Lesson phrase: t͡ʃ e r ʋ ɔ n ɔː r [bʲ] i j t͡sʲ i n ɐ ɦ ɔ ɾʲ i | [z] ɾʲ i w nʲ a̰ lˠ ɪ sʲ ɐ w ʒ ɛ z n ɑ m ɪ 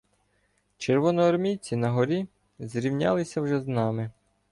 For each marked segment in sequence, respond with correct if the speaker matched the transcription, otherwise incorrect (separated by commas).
incorrect, correct